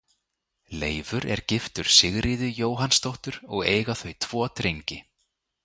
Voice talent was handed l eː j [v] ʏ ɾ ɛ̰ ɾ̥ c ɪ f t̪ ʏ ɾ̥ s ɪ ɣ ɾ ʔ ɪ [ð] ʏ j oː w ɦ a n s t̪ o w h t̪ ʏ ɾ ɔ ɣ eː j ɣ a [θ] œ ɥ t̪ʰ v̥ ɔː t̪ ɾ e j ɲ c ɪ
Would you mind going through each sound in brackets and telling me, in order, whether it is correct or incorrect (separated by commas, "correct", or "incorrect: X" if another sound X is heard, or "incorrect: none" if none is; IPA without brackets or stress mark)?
correct, correct, correct